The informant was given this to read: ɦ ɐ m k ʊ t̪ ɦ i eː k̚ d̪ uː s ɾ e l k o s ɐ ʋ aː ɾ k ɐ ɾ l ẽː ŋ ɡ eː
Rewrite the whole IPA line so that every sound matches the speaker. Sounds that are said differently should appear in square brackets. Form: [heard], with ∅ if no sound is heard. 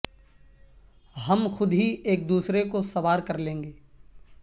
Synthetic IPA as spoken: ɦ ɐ m [x] ʊ [d̪] ɦ i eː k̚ d̪ uː s ɾ e [∅] k o s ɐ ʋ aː ɾ k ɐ ɾ l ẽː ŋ ɡ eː